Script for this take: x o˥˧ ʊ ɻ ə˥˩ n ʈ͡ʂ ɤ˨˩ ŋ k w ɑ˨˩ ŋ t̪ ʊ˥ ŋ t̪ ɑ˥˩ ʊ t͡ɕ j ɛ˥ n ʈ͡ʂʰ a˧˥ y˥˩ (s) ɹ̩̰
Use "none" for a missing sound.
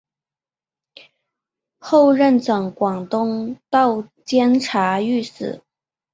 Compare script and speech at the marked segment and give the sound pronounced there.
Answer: s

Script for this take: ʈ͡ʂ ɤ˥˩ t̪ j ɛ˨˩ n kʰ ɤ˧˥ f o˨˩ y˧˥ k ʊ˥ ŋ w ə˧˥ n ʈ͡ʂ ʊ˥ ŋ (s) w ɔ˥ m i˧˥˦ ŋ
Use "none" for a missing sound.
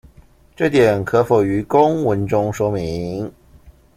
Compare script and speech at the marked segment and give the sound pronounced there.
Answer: ʂ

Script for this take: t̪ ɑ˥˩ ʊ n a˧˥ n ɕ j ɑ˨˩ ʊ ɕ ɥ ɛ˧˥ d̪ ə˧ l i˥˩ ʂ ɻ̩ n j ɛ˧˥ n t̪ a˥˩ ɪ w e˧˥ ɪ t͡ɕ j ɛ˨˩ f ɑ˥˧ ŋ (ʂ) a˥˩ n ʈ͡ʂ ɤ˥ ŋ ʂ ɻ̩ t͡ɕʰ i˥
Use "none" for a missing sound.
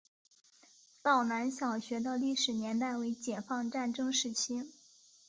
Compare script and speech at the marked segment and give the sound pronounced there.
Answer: ʈ͡ʂ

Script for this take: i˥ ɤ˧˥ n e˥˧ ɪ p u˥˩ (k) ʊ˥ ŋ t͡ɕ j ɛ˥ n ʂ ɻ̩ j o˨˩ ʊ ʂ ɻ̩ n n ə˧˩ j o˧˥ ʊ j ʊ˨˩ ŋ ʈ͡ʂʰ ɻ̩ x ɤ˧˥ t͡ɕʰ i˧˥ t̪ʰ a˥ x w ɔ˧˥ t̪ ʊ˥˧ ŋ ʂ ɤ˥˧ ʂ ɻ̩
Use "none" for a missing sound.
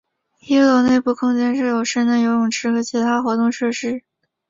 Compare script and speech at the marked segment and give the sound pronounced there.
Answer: kʰ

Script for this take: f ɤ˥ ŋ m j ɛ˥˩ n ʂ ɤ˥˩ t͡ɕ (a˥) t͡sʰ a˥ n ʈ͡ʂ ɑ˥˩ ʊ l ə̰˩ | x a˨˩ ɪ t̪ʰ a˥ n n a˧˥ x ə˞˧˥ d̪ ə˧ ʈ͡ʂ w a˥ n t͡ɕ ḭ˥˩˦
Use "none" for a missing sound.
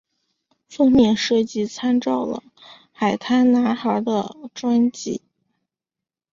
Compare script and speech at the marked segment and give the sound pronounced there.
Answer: i˥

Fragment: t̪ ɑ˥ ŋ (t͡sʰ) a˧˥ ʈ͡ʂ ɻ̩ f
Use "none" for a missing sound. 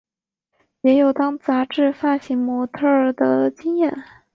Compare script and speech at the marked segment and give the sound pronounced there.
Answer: t͡s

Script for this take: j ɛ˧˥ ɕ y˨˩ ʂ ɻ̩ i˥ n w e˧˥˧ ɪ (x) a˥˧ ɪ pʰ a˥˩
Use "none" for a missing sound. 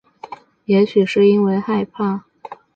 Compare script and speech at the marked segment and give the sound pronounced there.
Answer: x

